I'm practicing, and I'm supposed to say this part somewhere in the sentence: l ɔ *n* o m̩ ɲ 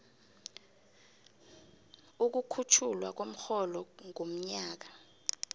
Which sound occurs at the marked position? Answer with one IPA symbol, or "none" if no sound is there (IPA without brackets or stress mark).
ŋ